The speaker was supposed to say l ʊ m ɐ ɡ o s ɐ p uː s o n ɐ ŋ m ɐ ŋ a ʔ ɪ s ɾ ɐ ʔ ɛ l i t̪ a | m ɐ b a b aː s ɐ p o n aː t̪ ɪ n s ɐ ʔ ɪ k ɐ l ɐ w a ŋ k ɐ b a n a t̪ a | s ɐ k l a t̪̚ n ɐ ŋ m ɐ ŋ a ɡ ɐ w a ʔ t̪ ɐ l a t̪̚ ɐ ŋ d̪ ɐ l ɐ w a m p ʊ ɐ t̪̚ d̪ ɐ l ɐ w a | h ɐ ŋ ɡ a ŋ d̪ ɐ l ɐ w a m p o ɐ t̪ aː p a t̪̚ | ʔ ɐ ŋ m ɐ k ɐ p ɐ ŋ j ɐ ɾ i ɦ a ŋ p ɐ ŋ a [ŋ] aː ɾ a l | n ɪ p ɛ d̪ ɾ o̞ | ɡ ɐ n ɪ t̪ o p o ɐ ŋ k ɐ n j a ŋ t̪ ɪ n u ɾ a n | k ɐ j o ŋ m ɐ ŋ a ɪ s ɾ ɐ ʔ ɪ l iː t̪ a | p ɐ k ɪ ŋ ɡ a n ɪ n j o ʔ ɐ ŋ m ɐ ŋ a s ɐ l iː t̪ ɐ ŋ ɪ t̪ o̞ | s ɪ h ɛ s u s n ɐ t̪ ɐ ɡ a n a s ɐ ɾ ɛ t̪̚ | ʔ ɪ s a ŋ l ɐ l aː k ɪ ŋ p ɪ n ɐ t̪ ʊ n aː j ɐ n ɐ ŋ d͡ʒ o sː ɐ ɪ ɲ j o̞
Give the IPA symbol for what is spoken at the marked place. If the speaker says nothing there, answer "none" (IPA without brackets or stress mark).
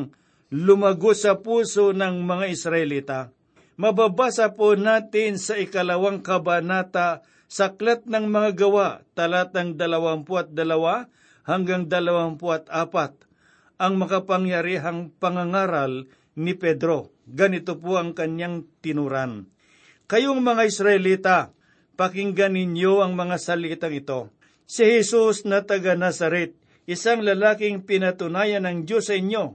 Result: ŋ